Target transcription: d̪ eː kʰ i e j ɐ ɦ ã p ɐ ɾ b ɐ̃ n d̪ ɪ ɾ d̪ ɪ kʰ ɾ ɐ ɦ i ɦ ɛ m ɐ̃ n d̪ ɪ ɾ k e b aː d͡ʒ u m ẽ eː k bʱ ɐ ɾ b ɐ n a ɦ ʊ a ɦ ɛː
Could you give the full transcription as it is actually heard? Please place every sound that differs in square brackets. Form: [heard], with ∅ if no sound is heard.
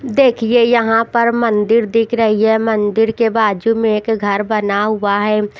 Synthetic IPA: d̪ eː kʰ i e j ɐ ɦ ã p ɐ ɾ [m] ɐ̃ n d̪ ɪ ɾ d̪ ɪ kʰ ɾ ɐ ɦ i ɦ ɛ m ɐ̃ n d̪ ɪ ɾ k e b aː d͡ʒ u m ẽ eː k [ɡʱ] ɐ ɾ b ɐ n a ɦ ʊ a ɦ ɛː